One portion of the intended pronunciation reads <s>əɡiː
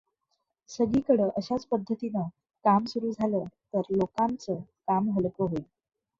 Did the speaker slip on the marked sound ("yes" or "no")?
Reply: no